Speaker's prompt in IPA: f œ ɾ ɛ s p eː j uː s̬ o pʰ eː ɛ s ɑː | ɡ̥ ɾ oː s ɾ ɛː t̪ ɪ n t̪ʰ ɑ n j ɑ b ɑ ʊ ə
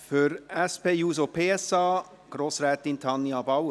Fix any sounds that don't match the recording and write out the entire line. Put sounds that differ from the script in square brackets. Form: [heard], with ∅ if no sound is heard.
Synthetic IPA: f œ ɾ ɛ s p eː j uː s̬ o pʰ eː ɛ s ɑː | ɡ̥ ɾ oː s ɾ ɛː t̪ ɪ n t̪ʰ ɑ n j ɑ b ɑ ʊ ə